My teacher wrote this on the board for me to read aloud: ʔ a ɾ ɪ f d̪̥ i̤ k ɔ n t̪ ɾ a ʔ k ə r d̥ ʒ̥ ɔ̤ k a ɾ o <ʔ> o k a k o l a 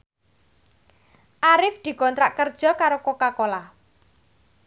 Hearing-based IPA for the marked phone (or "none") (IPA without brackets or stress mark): k